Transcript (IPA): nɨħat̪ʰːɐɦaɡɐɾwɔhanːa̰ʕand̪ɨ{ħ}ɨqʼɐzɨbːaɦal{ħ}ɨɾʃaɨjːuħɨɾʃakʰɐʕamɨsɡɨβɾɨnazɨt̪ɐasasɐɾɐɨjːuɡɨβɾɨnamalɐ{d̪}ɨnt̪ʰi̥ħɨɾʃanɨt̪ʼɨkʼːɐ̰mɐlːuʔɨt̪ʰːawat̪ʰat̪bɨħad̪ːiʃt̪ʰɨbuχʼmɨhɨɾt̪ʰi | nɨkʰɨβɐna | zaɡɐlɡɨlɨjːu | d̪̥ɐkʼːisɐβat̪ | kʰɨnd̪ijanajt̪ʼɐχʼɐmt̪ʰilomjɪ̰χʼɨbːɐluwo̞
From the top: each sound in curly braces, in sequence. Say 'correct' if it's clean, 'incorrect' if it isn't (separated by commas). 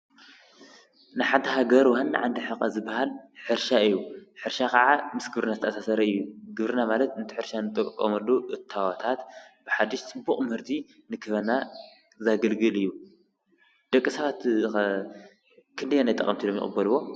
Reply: correct, correct, incorrect